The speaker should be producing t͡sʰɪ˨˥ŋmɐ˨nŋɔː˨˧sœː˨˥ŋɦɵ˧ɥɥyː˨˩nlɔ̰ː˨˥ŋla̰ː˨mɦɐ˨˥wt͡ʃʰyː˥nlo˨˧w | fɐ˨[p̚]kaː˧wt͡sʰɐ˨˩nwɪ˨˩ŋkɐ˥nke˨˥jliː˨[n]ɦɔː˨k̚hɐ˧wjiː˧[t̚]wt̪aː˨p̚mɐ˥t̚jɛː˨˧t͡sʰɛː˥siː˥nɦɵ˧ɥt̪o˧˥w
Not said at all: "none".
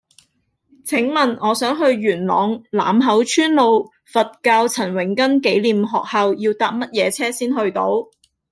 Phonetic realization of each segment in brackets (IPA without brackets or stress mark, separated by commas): t̚, m, none